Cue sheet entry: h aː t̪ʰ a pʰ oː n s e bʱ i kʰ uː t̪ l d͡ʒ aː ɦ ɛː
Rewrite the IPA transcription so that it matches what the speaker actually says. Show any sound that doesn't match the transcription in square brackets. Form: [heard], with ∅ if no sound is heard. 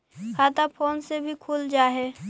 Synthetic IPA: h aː [t̪] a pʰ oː n s e bʱ i kʰ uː [∅] l d͡ʒ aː ɦ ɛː